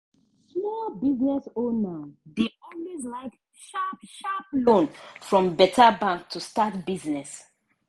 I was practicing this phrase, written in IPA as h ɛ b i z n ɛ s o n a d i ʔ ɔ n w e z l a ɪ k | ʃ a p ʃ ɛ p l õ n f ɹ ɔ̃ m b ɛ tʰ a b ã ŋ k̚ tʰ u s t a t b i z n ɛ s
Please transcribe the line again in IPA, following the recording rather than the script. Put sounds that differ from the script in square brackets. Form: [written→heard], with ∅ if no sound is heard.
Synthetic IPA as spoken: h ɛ b i z n ɛ s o n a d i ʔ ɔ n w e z l a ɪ k | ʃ a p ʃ [ɛ→a] p l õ n f ɹ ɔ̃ m b ɛ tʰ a b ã ŋ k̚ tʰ u s t a t b i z n ɛ s